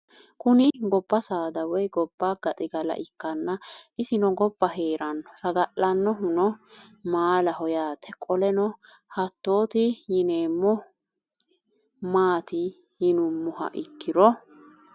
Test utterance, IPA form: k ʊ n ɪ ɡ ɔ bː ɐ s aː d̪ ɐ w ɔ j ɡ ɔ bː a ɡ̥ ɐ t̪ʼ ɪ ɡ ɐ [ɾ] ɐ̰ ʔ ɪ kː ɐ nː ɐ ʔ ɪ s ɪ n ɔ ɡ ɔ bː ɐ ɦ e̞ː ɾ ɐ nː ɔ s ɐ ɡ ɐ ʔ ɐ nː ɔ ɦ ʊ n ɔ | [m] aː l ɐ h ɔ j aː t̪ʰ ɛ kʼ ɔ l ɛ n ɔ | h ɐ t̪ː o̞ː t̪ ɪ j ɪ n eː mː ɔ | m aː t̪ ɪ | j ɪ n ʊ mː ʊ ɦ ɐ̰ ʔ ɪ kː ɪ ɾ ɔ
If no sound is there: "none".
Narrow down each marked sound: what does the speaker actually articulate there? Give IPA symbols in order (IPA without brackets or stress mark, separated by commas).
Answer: l, m